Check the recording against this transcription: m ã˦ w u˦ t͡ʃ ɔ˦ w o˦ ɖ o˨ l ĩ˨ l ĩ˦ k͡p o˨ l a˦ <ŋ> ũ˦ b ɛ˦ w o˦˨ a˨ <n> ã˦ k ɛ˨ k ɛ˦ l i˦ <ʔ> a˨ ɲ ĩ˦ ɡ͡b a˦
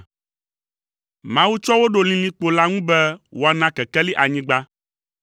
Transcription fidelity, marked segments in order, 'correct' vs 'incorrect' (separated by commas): correct, correct, correct